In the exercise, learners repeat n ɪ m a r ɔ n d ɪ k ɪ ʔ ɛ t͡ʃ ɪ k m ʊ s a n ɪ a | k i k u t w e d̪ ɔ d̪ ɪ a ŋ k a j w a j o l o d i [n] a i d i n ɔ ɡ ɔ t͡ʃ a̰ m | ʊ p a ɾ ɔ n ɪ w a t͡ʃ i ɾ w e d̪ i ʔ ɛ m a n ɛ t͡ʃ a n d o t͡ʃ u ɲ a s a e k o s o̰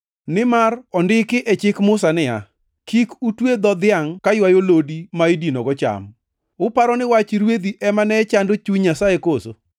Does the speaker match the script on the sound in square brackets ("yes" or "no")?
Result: no